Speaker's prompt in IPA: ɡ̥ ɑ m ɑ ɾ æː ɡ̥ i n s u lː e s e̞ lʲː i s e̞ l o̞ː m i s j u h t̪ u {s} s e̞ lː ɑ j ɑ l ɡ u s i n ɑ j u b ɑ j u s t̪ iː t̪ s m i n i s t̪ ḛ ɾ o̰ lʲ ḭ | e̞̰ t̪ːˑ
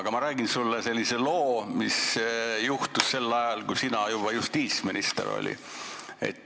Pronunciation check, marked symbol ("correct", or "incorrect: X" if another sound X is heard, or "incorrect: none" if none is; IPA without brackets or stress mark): correct